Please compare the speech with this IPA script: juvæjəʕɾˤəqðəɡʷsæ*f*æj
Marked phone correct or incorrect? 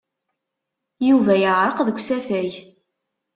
correct